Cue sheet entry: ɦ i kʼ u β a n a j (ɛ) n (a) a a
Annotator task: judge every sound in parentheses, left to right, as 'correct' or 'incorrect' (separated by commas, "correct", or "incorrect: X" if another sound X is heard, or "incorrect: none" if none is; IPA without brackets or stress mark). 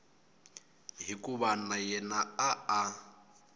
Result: correct, correct